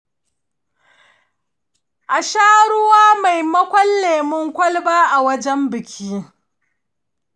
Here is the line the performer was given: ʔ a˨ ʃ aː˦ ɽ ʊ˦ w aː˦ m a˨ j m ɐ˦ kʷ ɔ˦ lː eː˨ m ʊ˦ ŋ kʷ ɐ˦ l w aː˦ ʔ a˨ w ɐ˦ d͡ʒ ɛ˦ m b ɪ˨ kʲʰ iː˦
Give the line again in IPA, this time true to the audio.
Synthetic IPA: ʔ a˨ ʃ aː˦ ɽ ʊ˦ w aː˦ m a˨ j m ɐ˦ kʷ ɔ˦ lː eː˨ m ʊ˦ ŋ kʷ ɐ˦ l b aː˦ ʔ a˨ w ɐ˦ d͡ʒ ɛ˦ m b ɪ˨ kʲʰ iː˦